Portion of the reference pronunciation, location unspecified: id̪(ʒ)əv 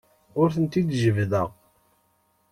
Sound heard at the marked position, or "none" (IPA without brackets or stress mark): ʒ